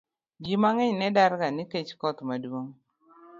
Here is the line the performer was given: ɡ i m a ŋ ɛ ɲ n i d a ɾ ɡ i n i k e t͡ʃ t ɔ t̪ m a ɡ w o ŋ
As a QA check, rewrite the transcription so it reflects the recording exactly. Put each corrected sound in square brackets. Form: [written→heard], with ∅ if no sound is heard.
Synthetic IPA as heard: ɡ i m a ŋ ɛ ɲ n [i→ɛ] d a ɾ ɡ [i→a] n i k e t͡ʃ [t→k] ɔ t̪ m a [ɡ→d] w o ŋ